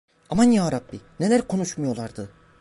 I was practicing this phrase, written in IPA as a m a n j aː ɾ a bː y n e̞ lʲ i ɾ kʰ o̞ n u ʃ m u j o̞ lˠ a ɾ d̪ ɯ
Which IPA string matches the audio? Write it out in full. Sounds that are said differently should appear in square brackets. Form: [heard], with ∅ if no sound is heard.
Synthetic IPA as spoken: a m a n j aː ɾ a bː [i] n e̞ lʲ [æ] ɾ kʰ o̞ n u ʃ m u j o̞ lˠ a ɾ d̪ ɯ